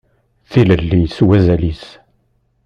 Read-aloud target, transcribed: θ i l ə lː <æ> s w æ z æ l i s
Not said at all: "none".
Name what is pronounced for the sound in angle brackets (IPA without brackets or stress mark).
i